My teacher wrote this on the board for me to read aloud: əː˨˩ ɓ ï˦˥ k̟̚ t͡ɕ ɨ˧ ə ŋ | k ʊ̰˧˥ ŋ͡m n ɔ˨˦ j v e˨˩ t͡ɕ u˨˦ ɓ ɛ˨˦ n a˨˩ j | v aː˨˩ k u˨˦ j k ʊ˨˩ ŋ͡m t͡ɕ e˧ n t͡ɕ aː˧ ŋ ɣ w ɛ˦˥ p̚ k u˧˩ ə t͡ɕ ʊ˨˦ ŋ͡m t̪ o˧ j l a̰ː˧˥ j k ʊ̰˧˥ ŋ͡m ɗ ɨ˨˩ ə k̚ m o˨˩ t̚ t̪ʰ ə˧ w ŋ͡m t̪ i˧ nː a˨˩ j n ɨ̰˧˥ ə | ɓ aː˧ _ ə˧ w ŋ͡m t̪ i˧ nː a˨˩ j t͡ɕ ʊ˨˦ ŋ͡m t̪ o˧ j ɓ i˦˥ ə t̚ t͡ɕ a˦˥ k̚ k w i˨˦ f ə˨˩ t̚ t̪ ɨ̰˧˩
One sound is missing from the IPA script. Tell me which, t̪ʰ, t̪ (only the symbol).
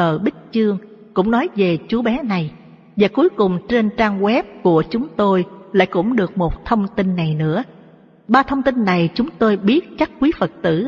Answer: t̪ʰ